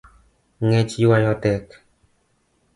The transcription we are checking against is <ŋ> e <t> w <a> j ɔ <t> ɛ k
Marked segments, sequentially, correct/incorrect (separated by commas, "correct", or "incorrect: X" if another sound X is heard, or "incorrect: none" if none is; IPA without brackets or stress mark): correct, incorrect: t͡ʃ, correct, correct